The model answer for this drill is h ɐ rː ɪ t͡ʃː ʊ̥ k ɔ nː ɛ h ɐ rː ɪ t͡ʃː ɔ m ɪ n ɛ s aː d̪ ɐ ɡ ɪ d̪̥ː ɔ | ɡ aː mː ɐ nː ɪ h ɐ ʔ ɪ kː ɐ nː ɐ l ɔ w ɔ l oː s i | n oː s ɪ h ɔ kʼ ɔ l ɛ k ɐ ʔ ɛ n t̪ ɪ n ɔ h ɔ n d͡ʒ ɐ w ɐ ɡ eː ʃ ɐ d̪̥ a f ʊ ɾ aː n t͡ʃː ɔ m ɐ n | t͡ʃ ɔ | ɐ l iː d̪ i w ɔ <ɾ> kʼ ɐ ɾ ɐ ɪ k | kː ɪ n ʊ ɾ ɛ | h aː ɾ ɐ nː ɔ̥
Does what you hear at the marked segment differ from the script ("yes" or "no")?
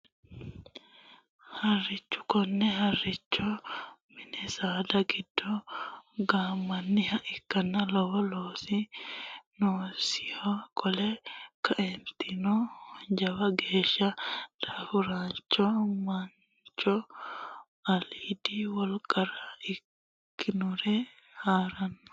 yes